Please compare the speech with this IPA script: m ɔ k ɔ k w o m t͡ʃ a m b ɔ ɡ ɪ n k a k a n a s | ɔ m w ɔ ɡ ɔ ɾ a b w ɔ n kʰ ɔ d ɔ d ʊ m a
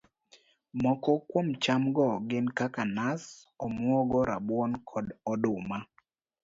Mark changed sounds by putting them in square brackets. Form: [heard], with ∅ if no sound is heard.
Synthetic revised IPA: m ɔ k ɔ k w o m t͡ʃ a m [ɡ] ɔ ɡ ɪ n k a k a n a s | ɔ m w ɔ ɡ ɔ ɾ a b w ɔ n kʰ ɔ d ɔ d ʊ m a